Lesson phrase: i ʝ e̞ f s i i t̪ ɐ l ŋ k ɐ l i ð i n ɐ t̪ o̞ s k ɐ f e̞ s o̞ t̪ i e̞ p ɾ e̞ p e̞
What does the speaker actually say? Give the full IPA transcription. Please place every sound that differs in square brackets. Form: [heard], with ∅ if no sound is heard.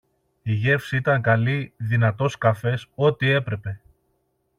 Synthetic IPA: i ʝ e̞ f s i i t̪ ɐ [∅] ŋ k ɐ l i ð i n ɐ t̪ o̞ s k ɐ f e̞ s o̞ t̪ i e̞ p ɾ e̞ p e̞